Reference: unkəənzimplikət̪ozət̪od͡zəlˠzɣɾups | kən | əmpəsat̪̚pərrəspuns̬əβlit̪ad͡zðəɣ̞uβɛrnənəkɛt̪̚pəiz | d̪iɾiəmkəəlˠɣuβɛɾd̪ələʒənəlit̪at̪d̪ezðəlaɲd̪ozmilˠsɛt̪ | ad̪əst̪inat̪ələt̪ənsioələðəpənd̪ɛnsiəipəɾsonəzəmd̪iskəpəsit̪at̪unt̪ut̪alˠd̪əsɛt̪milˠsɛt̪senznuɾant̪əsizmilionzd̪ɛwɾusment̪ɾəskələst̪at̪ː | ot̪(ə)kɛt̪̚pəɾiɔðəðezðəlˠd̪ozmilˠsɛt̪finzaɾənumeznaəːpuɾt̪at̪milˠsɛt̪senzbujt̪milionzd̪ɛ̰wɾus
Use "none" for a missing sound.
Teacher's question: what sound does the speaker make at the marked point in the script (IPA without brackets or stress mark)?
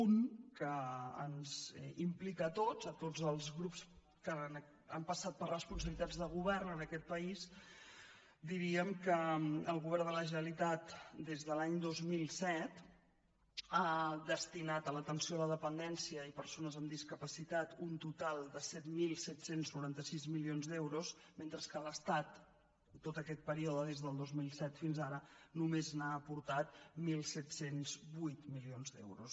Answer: ə